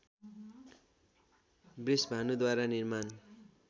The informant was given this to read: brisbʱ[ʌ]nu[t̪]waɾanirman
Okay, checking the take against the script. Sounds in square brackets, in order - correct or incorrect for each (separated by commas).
incorrect, incorrect